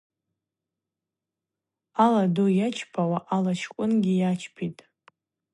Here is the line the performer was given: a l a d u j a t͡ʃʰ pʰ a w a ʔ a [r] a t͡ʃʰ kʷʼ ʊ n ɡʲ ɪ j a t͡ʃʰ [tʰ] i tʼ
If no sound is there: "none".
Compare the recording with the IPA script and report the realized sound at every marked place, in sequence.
l, pʰ

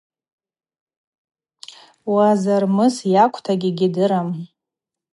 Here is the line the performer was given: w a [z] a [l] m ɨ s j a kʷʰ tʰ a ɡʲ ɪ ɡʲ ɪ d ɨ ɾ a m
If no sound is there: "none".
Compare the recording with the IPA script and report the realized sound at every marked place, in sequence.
z, r

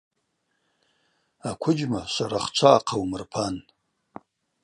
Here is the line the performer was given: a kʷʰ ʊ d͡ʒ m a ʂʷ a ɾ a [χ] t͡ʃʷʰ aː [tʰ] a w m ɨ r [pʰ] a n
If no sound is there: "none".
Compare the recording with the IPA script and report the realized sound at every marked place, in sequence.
χ, qʰ, pʰ

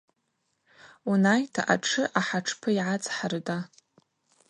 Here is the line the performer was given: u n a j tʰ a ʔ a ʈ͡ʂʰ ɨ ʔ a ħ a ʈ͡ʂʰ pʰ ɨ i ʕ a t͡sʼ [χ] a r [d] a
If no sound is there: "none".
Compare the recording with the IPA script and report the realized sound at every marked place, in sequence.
ħ, d

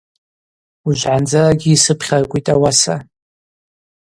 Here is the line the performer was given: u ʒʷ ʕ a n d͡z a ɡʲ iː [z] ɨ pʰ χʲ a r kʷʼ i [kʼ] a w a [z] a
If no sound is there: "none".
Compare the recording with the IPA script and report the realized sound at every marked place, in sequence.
s, tʼ, s

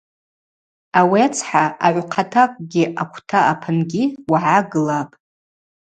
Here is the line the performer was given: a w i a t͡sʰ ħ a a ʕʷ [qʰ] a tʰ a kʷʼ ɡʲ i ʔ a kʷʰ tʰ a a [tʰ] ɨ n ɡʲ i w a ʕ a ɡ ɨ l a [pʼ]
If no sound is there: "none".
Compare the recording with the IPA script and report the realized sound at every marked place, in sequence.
qʰ, pʰ, pʼ

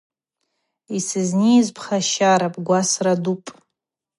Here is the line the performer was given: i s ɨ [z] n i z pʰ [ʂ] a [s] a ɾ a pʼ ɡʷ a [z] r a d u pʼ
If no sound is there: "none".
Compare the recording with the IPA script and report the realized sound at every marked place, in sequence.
z, χ, ʃ, s

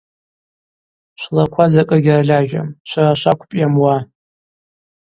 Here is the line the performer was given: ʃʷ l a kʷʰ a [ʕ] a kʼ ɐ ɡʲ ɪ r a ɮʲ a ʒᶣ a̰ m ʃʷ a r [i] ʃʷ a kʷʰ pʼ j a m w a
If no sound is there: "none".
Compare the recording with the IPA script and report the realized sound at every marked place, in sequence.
z, a

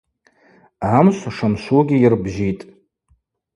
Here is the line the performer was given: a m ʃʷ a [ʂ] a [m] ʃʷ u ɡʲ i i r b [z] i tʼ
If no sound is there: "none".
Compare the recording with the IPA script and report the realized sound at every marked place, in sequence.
ʂ, m, ʒ

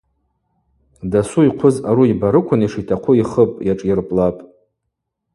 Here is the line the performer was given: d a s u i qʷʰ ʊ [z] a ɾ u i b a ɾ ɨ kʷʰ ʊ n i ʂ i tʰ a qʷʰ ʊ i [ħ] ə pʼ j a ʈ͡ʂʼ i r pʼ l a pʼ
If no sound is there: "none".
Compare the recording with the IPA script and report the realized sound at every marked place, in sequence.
z, χ

